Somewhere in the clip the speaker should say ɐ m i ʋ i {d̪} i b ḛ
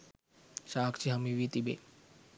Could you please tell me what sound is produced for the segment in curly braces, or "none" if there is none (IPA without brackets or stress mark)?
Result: t̪